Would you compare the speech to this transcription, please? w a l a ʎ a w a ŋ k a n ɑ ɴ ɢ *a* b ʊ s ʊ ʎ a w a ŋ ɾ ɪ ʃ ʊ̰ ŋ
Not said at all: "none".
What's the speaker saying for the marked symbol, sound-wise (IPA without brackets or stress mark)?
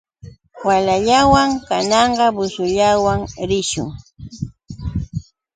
ɑ